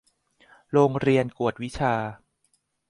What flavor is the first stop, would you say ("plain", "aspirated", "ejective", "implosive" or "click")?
plain